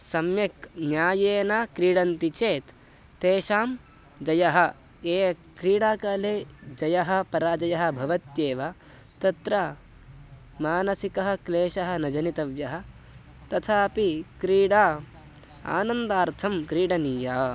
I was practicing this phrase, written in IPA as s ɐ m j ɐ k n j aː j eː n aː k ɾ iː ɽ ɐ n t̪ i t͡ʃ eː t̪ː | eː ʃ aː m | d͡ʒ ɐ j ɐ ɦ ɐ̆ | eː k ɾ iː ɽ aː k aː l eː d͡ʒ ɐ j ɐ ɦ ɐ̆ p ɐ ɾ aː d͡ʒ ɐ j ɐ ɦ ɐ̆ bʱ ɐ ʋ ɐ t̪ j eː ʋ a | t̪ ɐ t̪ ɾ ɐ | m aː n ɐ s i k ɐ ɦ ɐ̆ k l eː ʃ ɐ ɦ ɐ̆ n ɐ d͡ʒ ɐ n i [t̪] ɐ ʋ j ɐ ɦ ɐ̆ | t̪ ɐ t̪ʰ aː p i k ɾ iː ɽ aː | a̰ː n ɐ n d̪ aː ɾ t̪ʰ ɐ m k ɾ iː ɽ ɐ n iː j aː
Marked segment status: correct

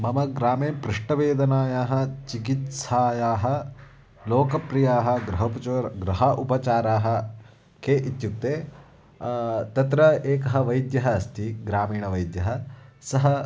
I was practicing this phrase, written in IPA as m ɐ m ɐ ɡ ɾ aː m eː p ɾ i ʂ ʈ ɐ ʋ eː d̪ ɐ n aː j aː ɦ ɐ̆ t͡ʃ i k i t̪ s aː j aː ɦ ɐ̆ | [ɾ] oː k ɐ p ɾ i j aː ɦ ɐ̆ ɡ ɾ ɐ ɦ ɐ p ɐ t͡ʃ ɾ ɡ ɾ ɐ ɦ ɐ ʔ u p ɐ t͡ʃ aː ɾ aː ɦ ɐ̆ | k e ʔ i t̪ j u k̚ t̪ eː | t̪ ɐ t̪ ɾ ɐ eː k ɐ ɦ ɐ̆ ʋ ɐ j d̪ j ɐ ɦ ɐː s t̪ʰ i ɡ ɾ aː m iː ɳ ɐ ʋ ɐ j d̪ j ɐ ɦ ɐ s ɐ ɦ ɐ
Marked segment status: incorrect: l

